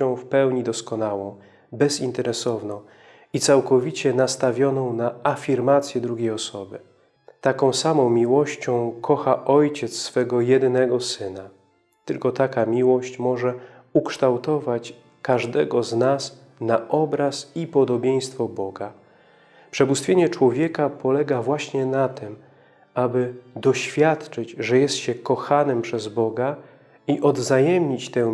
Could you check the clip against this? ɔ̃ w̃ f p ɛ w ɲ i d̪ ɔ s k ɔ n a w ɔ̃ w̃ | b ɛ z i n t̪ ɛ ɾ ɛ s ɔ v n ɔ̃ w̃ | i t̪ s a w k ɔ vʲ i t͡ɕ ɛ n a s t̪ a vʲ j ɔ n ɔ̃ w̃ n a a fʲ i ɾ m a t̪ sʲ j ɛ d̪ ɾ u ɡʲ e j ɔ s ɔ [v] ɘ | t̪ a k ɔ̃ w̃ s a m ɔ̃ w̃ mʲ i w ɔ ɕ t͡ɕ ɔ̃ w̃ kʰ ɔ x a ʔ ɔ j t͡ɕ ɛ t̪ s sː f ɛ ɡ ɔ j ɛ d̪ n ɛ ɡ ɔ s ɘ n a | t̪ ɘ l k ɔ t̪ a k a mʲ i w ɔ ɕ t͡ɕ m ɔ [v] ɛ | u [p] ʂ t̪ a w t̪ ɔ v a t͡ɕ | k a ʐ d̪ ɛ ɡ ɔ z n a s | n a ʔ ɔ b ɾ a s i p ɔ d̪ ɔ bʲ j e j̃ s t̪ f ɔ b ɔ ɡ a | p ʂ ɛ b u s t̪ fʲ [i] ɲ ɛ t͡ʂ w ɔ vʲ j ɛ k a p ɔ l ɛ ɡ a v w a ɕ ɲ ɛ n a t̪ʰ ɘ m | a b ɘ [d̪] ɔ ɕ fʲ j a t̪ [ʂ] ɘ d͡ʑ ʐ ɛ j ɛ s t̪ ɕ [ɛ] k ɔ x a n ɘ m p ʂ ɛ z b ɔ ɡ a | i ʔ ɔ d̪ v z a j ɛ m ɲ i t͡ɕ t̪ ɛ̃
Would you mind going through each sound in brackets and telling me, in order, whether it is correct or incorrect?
incorrect: b, incorrect: ʐ, incorrect: k, incorrect: e, correct, incorrect: t͡ʂ, correct

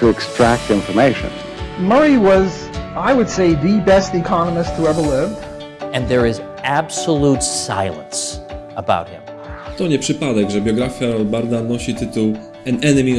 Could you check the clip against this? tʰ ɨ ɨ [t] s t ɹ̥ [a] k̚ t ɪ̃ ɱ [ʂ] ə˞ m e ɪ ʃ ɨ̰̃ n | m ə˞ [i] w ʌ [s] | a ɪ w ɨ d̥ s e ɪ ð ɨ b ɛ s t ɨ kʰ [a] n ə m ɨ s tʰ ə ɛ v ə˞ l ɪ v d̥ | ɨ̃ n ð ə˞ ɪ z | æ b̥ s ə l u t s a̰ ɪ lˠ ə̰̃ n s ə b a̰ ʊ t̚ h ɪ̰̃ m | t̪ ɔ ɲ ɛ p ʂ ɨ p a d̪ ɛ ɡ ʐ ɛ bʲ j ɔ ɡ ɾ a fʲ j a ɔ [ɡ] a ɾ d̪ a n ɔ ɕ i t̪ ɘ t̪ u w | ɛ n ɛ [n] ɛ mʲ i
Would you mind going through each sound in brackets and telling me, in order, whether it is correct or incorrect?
incorrect: k, incorrect: æ, incorrect: f, correct, incorrect: z, incorrect: ɑ, incorrect: b, correct

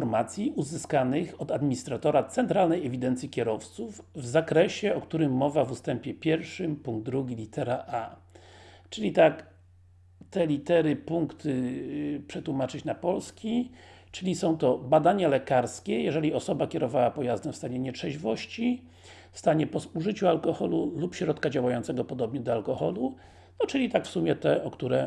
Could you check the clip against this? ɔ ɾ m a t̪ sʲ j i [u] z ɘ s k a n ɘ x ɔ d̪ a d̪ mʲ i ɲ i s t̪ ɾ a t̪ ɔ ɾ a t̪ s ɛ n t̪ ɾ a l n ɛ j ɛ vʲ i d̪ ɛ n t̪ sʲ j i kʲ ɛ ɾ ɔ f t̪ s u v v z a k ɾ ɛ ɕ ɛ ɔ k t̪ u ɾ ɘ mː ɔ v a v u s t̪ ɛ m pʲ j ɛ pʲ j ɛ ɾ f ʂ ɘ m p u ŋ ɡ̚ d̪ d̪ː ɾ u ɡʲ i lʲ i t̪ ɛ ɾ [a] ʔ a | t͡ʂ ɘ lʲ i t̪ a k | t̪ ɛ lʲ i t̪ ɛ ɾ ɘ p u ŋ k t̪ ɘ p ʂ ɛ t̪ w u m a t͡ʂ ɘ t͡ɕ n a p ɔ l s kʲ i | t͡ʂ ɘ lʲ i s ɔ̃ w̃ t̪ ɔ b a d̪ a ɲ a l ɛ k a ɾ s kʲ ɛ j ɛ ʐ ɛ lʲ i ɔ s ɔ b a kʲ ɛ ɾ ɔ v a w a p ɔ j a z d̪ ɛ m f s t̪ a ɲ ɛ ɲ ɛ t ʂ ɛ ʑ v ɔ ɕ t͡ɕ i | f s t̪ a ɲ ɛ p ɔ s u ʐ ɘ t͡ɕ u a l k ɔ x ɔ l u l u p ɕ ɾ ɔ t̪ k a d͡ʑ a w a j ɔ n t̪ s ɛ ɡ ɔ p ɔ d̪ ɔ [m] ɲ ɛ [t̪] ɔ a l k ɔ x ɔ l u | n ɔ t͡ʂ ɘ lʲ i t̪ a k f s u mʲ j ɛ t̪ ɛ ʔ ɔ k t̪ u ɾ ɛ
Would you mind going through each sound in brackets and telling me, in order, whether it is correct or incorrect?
correct, correct, incorrect: b, incorrect: d̪

